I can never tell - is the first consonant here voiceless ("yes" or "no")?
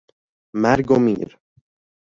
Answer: no